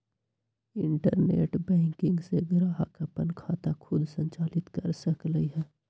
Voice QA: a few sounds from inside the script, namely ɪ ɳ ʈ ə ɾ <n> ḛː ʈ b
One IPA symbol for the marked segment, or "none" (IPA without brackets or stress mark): n